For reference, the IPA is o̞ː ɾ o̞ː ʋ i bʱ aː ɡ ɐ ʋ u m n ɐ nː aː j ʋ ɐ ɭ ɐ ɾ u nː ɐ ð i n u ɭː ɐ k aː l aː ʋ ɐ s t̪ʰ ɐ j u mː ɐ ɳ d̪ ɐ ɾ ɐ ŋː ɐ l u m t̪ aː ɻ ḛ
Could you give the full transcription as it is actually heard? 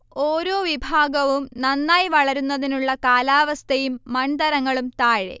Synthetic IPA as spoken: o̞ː ɾ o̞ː ʋ i bʱ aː ɡ ɐ ʋ u m n ɐ nː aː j ʋ ɐ ɭ ɐ ɾ u nː ɐ ð i n u ɭː ɐ k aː l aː ʋ ɐ s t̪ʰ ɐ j u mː ɐ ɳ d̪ ɐ ɾ ɐ ŋː ɐ ɭ u m t̪ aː ɻ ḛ